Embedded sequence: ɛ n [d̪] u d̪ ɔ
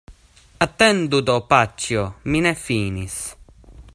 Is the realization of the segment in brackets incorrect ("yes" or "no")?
no